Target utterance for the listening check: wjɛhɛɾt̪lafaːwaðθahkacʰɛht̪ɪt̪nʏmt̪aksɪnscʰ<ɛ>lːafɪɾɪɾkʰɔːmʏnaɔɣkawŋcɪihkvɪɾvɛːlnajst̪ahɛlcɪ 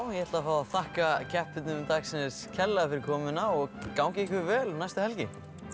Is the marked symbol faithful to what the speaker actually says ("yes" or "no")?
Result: yes